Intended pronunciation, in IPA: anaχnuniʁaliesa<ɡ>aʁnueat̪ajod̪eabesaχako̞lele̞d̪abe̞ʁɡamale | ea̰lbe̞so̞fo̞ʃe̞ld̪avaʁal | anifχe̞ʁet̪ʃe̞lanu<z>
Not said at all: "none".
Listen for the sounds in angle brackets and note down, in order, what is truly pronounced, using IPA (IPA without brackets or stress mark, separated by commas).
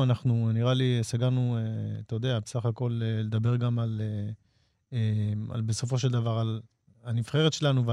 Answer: ɡ, v